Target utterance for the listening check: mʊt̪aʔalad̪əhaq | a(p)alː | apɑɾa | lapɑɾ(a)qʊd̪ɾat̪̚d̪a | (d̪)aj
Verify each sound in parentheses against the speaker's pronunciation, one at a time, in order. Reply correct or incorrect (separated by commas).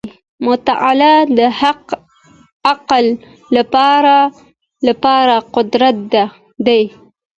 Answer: incorrect, correct, correct